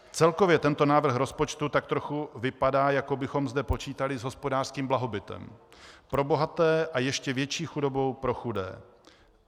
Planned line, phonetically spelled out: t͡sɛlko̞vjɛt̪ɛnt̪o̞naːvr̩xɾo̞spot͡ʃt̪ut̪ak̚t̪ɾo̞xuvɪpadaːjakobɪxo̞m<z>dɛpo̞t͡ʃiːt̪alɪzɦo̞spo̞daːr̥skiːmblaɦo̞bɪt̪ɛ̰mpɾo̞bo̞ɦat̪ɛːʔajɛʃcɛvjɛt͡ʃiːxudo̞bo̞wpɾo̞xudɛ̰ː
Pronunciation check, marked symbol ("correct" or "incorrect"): correct